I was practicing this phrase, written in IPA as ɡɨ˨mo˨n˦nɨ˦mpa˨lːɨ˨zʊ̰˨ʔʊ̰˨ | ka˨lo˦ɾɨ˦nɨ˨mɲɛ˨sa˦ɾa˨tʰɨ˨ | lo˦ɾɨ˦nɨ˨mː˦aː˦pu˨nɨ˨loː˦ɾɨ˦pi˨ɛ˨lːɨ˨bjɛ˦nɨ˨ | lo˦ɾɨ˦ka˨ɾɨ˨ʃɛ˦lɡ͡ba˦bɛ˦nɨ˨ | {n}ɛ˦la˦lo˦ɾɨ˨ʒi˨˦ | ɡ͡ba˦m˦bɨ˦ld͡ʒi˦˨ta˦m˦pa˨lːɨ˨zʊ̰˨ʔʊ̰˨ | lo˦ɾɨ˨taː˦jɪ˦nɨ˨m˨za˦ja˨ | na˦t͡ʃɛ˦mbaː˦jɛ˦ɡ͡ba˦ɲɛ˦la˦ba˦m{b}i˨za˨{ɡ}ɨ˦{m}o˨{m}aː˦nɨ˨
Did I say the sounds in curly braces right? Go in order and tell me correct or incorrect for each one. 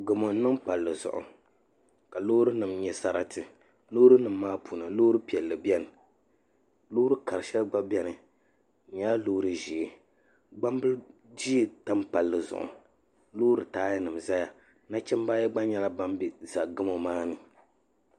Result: incorrect: ɲ, correct, correct, correct, correct

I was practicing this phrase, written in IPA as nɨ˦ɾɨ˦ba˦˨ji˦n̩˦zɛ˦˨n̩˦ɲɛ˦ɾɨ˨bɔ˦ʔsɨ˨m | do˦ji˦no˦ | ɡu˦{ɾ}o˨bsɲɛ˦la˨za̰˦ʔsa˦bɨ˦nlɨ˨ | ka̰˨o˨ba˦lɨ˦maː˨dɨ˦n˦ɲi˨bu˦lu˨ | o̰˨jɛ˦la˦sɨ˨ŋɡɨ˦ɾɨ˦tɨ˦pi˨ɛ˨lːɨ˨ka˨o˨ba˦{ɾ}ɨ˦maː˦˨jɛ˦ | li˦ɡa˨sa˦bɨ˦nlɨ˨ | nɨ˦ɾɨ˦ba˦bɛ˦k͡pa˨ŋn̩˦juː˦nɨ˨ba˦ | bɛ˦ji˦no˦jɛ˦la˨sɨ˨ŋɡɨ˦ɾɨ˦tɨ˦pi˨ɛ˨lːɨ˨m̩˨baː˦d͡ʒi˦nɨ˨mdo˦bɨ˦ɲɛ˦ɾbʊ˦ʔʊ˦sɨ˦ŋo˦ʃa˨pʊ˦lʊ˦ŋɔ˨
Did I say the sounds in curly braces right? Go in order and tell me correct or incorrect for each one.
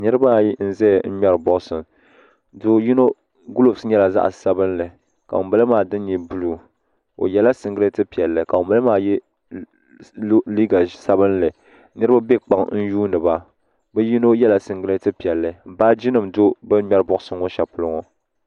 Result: incorrect: l, incorrect: l

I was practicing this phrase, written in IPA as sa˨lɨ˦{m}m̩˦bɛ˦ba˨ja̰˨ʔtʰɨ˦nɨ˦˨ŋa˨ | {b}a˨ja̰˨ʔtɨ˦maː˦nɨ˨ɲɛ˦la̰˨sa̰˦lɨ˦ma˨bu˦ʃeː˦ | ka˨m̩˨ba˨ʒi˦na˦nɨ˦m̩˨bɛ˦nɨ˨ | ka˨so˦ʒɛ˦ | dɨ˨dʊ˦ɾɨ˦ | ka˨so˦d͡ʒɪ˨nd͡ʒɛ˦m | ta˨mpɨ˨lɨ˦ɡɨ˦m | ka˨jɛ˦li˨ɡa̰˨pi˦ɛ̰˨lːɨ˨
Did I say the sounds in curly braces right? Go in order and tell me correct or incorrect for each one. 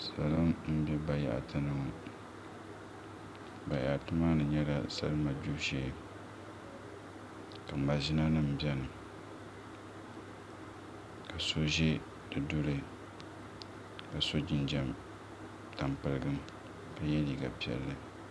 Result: correct, correct

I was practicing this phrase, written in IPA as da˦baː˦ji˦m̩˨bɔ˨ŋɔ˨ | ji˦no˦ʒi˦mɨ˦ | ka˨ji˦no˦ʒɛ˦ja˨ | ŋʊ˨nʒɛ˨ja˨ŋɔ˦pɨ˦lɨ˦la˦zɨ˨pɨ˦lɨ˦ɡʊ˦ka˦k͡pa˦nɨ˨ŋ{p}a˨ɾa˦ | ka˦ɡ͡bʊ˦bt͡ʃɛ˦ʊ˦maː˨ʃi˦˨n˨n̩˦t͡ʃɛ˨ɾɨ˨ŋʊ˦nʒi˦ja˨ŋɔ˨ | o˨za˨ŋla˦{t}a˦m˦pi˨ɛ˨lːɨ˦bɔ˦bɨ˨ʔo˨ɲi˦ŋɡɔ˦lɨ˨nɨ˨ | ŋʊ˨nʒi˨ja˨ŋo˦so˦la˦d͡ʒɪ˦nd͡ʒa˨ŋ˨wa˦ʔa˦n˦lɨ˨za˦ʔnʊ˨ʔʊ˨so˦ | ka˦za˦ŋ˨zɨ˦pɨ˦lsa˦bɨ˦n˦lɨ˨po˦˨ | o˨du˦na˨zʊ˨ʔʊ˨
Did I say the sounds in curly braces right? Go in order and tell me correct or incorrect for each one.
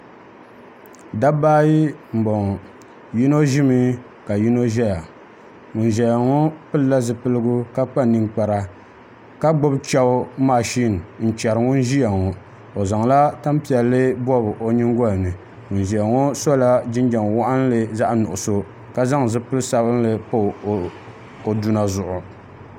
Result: incorrect: k͡p, correct

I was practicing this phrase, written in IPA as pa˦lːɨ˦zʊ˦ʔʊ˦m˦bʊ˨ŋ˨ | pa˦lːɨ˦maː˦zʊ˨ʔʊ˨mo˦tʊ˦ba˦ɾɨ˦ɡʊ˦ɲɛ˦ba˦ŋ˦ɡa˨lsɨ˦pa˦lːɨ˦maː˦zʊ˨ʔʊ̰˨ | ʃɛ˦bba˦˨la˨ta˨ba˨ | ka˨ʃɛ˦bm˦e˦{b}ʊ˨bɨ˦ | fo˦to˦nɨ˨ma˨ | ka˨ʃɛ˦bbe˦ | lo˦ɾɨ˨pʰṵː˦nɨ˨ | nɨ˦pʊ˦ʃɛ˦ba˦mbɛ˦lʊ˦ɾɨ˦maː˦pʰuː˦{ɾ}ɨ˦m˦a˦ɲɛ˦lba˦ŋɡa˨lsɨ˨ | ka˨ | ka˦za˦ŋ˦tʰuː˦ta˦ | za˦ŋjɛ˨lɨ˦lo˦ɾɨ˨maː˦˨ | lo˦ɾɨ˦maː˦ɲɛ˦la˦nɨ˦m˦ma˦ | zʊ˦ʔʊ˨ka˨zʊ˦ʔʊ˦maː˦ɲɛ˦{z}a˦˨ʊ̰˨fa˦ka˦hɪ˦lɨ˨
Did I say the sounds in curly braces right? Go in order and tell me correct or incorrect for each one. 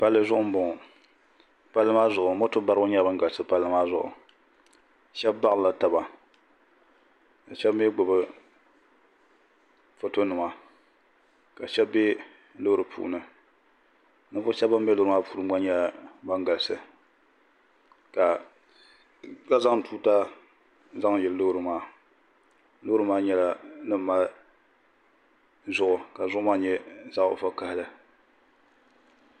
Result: incorrect: ɡ͡b, correct, correct

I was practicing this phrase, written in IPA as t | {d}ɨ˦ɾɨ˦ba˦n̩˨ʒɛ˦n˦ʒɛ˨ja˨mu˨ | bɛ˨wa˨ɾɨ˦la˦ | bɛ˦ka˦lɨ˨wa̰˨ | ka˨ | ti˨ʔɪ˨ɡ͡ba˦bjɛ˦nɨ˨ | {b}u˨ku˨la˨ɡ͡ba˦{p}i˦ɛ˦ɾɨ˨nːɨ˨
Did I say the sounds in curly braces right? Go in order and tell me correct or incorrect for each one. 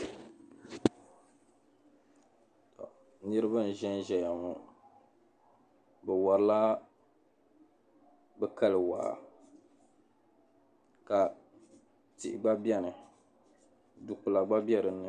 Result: incorrect: n, incorrect: d, incorrect: b

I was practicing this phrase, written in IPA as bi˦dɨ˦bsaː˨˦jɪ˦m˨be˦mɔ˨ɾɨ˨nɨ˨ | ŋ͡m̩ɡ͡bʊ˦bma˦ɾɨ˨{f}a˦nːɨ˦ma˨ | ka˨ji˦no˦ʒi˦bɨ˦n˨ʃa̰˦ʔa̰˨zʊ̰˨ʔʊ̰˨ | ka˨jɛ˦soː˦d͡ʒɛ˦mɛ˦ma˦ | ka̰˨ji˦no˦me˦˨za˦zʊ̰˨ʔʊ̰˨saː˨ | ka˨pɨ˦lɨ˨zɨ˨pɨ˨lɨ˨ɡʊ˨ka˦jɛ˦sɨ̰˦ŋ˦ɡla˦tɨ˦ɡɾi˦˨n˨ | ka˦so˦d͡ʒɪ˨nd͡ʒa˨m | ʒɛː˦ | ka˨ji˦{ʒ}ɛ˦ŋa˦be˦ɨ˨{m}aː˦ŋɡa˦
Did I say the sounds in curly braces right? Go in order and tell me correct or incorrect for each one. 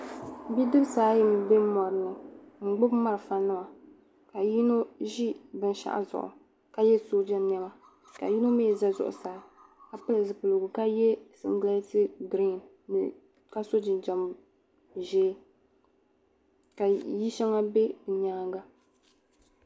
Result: correct, incorrect: ʃ, incorrect: ɲ

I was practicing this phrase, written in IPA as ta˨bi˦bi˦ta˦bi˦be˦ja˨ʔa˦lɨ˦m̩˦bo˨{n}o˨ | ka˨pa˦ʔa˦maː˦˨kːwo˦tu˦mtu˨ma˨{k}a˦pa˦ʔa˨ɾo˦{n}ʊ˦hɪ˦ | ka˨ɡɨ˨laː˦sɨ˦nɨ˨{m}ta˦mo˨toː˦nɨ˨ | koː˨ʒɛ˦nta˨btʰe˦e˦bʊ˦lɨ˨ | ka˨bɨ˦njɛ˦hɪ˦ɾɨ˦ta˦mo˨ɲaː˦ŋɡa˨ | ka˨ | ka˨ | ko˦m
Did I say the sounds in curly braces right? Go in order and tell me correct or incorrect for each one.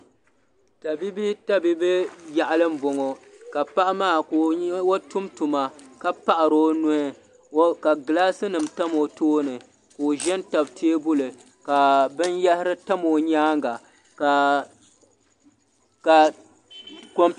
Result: incorrect: ŋ, correct, correct, correct

